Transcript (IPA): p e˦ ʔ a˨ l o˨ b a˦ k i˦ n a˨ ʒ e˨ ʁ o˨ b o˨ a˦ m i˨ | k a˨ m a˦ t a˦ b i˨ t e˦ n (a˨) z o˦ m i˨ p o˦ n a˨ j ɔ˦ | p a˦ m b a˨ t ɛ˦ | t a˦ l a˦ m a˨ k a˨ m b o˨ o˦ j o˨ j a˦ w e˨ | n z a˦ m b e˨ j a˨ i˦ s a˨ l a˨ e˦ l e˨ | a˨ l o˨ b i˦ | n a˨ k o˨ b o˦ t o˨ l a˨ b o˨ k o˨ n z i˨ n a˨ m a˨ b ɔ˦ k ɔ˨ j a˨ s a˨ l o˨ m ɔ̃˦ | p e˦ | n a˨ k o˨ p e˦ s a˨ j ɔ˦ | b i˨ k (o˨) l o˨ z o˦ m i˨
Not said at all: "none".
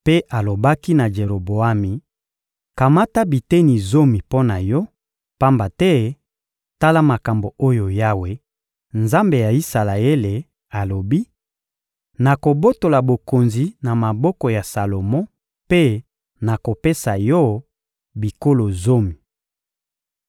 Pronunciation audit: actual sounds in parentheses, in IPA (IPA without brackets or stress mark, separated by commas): i˨, o˦